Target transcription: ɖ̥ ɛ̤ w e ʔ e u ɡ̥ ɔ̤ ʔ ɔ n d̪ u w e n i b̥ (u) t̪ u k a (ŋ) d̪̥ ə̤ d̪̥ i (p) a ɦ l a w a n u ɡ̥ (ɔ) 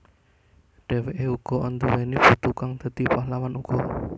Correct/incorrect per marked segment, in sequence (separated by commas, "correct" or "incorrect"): correct, correct, correct, correct